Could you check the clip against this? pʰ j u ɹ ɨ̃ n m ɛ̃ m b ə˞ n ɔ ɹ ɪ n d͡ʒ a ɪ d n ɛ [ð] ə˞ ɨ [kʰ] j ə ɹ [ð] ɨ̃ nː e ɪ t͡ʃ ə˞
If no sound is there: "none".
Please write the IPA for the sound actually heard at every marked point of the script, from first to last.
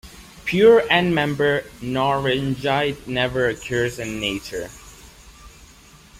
v, kʰ, z

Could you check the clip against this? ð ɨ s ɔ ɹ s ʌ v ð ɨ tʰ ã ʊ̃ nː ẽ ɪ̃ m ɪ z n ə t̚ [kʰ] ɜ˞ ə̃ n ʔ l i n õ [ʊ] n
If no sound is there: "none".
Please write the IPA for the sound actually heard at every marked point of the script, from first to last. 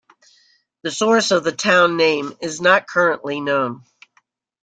kʰ, ʊ̃

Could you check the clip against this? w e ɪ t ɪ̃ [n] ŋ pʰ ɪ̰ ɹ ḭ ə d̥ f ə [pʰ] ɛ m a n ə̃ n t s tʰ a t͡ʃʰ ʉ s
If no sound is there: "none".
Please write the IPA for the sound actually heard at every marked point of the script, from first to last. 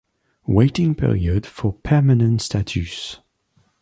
none, pʰ

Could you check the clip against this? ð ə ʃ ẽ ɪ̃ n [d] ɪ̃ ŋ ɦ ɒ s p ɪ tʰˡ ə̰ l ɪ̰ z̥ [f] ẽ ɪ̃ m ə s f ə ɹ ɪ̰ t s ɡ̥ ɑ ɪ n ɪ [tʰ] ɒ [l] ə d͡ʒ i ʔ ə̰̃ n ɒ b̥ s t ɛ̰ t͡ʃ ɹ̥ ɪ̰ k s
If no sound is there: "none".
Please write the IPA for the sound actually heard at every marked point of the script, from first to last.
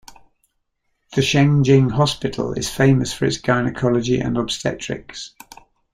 d͡ʒ, f, kʰ, l

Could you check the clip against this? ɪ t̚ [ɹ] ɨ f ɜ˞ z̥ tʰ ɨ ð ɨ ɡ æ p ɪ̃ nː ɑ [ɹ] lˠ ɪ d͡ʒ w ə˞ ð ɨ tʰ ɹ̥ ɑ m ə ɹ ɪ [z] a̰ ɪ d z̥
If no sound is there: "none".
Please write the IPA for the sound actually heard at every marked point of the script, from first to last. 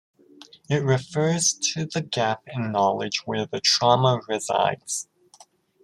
ɹ, none, z

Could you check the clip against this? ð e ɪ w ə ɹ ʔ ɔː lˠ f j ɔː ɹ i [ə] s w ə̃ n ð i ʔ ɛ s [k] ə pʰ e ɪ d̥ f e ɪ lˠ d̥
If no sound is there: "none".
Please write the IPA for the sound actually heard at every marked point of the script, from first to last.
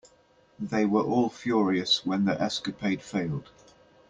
ə, k

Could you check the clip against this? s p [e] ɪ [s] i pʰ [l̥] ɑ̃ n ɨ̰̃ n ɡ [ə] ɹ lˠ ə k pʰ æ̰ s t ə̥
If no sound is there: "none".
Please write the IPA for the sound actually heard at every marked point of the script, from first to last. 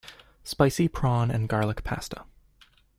a, s, ɹ̥, ɑ

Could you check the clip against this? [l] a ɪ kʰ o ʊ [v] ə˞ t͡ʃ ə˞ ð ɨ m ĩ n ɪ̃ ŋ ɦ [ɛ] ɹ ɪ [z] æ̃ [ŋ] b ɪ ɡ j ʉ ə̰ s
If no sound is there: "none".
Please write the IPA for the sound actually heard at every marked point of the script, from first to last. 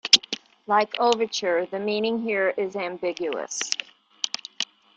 l, v, i, z, m

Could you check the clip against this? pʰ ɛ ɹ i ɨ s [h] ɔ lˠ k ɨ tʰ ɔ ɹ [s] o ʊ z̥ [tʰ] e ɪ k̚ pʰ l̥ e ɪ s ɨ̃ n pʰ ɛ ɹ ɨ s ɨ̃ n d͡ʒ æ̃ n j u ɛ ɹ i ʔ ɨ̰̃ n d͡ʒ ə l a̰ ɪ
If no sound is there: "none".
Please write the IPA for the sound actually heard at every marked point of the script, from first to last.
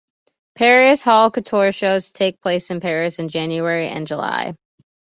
h, ʃ, tʰ

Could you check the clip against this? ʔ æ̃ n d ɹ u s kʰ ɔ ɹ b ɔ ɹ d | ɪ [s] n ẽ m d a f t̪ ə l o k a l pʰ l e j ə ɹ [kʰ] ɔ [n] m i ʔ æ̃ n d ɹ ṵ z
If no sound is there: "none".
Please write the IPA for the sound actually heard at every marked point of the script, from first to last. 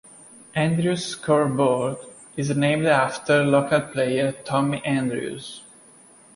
z, tʰ, none

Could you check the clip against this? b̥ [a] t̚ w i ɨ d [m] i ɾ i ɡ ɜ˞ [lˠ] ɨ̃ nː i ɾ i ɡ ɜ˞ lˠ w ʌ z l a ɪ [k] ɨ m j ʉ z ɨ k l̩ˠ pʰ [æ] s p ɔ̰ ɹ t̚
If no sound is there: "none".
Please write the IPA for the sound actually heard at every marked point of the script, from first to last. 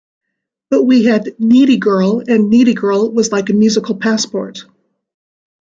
ʌ, n, lˠ, k, æ

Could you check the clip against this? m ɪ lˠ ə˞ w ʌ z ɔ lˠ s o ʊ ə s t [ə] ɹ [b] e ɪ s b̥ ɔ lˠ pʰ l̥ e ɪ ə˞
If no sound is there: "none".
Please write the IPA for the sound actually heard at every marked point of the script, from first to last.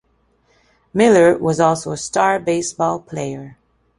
ɑ, b

